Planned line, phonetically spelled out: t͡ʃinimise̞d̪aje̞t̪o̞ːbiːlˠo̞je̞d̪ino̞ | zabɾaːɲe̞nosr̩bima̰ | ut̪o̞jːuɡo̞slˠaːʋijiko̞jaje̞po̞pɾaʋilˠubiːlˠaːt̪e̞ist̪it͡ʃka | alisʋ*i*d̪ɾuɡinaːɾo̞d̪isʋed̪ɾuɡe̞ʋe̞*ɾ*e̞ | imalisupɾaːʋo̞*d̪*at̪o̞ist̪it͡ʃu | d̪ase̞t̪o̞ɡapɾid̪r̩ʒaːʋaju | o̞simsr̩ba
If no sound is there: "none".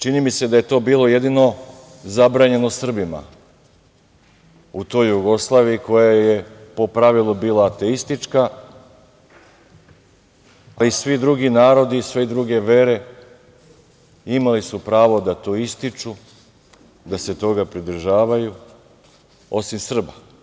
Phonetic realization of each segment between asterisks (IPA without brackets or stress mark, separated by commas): i, ɾ, d̪